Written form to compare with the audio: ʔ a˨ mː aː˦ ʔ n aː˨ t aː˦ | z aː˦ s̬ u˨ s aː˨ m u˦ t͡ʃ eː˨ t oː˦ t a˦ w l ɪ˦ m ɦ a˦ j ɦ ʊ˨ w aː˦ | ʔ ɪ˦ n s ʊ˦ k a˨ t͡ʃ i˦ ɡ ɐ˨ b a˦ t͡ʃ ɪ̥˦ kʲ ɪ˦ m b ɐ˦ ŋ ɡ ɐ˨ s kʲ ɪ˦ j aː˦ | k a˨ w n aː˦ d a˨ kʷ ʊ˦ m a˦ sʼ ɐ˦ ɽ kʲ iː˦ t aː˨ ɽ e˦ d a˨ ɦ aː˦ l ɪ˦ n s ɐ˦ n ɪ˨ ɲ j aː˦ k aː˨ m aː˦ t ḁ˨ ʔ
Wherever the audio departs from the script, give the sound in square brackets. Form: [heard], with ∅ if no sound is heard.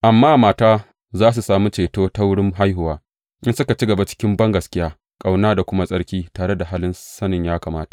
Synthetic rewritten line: ʔ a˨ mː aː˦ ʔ [m] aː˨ t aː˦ | z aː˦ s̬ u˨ s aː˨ m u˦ t͡ʃ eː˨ t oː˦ t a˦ w [ɽ] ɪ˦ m ɦ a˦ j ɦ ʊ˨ w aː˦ | ʔ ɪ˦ n s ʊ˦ k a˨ t͡ʃ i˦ ɡ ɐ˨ b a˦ t͡ʃ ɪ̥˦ kʲ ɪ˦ m b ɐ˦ ŋ ɡ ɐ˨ s kʲ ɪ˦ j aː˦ | [kʼ] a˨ w n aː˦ d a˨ kʷ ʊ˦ m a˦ sʼ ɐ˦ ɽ kʲ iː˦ t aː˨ ɽ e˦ d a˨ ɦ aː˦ l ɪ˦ n s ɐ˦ n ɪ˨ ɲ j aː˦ k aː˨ m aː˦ t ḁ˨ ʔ